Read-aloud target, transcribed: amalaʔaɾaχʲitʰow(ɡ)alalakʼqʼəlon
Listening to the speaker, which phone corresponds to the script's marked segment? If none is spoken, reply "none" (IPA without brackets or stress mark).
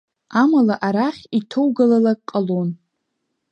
ɡ